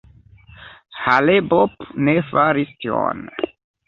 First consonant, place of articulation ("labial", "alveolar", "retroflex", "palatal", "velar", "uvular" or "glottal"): glottal